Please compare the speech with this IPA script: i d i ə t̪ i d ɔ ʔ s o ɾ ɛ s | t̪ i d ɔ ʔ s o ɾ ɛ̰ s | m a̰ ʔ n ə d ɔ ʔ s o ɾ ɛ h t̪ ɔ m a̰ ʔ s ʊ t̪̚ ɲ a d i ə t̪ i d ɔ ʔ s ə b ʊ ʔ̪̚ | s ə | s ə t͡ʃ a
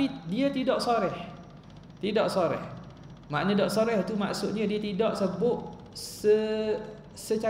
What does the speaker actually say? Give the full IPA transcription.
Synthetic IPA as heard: i d i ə t̪ i d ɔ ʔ s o ɾ ɛ h | t̪ i d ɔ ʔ s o ɾ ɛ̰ h | m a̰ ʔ n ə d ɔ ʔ s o ɾ ɛ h t̪ u m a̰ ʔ s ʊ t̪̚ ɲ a d i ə t̪ i d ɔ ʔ s ə b ʊ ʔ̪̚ | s ə | s ə t͡ʃ a